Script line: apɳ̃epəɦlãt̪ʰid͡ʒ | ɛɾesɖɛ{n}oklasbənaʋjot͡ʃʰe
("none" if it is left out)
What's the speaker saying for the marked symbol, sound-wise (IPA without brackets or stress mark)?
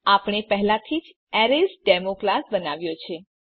m